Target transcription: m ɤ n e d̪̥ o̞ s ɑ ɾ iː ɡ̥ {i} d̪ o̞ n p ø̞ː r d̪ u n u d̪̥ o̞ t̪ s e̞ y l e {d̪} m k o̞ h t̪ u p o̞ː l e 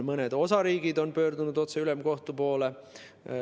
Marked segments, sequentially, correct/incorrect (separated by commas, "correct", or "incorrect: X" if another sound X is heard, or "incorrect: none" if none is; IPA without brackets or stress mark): correct, incorrect: none